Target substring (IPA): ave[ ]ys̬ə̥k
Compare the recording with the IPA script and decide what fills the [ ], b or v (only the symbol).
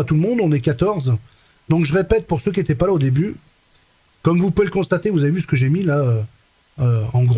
v